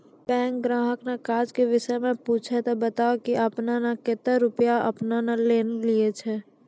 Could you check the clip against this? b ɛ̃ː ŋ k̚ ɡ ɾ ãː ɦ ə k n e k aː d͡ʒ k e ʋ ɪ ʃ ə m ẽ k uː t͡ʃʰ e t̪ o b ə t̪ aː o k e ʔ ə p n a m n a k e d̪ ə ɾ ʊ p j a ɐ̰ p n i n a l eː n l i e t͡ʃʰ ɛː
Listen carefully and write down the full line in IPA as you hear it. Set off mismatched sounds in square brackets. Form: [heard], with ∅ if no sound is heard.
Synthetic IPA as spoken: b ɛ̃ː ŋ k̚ ɡ ɾ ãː ɦ ə k n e k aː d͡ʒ k e ʋ ɪ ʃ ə m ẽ [p] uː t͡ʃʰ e t̪ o b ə t̪ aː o k [i] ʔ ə p n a [∅] n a k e [t̪] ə ɾ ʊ p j a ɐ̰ p n [a] n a l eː n l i e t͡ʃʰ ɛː